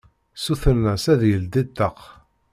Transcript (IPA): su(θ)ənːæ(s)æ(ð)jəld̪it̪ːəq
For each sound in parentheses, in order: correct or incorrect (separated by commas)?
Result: correct, correct, correct